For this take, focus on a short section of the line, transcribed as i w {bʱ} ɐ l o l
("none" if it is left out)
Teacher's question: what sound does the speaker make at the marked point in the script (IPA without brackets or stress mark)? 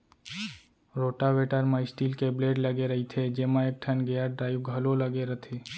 ɡʱ